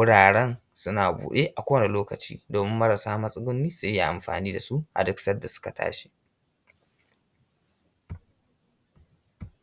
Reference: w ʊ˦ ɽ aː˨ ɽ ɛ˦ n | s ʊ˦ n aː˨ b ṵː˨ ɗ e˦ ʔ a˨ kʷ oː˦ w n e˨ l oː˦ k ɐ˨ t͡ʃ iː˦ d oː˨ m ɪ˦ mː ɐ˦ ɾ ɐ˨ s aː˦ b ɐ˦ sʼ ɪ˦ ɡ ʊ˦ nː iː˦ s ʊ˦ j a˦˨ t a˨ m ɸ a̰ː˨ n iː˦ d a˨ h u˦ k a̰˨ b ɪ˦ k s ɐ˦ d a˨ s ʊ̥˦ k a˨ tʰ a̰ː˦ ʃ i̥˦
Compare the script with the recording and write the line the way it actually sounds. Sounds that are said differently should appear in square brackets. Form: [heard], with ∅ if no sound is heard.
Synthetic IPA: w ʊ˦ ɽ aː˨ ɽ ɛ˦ n | s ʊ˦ n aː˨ b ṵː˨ ɗ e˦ ʔ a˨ kʷ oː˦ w n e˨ l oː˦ k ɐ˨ t͡ʃ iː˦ d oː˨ m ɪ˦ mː ɐ˦ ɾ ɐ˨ s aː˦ [m] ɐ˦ sʼ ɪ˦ ɡ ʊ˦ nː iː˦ s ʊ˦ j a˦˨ [ʔ] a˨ m ɸ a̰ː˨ n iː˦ d a˨ [s] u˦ [ʔ] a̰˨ [d] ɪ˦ k s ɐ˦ d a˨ s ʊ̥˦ k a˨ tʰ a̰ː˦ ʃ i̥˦